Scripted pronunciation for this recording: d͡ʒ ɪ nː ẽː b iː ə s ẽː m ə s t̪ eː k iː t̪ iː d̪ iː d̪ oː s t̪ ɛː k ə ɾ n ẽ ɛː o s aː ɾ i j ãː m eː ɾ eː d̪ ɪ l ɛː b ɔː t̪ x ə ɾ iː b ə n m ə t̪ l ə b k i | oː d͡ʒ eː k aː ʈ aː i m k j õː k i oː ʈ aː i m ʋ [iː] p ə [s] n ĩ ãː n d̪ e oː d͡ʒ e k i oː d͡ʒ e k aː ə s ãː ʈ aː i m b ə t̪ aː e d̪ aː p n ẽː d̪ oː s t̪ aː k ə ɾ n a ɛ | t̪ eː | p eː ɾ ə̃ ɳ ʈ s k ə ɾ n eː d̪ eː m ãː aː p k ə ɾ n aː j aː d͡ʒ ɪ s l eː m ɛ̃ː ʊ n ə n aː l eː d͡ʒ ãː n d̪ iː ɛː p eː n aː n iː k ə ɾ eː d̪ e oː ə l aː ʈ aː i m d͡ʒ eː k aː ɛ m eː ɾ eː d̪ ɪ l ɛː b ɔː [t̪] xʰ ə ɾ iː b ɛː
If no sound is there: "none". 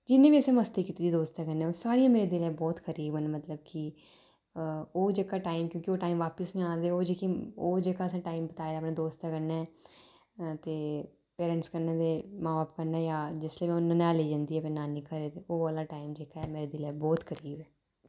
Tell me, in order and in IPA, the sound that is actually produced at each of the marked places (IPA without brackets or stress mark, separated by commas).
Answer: aː, s, t̪